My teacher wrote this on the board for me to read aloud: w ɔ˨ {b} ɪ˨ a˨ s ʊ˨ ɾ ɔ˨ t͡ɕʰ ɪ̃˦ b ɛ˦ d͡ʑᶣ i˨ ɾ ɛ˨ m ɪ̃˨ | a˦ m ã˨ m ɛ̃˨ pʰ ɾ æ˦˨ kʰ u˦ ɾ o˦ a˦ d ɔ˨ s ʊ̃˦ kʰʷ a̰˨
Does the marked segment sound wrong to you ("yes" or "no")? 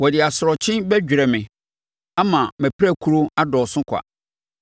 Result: yes